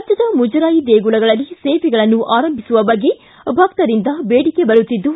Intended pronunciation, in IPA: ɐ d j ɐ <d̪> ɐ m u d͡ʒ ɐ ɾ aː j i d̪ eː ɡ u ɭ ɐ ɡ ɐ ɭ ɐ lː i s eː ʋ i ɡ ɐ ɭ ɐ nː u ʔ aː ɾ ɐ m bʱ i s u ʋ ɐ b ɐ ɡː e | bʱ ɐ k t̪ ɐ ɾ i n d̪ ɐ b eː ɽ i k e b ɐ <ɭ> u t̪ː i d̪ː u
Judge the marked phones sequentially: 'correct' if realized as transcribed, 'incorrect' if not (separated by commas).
correct, incorrect